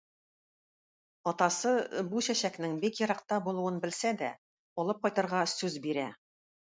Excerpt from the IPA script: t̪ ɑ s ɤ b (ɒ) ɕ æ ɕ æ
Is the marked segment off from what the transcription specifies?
yes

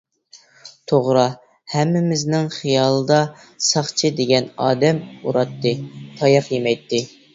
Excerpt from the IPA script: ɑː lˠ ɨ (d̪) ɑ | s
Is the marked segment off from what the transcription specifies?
no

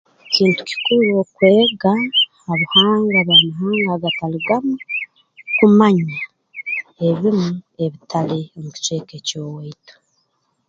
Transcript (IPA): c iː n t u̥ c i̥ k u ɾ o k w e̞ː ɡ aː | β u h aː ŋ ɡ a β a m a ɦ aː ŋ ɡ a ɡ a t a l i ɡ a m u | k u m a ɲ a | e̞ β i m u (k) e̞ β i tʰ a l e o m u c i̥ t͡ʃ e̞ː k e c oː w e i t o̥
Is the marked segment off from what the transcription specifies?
yes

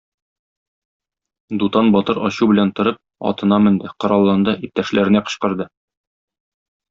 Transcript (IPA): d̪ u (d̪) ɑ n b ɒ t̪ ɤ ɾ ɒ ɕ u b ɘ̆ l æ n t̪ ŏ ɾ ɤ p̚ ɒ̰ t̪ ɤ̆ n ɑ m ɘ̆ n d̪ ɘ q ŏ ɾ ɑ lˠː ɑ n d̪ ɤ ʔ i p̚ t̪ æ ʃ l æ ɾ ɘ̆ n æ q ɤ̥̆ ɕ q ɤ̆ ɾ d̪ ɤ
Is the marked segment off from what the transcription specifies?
yes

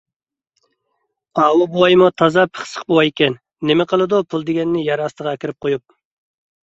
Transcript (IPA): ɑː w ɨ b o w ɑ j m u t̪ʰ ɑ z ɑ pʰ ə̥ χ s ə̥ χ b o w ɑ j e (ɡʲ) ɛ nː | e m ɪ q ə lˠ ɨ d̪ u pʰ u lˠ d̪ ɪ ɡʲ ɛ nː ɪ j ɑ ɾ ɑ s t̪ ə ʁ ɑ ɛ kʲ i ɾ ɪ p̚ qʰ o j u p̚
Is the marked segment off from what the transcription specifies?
yes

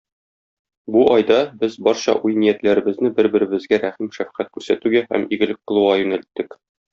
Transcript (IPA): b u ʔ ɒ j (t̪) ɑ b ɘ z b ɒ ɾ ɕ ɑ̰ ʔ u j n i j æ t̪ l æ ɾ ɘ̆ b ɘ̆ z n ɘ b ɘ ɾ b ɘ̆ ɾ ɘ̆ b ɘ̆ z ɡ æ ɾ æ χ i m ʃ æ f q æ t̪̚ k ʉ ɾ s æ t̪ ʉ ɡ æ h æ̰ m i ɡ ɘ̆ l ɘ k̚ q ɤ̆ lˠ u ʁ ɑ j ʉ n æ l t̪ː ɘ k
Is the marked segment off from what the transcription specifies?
yes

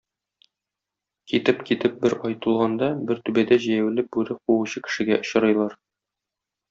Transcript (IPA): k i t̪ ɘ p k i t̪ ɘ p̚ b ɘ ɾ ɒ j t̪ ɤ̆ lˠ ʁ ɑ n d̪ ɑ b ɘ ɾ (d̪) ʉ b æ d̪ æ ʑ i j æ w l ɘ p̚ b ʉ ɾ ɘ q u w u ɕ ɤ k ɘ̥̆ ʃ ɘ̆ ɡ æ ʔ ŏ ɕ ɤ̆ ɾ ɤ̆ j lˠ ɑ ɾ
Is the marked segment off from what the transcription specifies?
yes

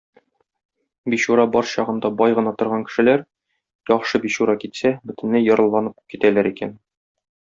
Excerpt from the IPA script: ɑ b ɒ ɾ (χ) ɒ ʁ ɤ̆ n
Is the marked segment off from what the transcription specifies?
yes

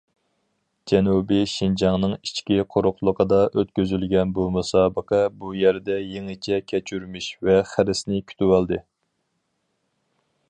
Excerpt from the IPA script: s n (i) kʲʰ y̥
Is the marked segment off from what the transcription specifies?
yes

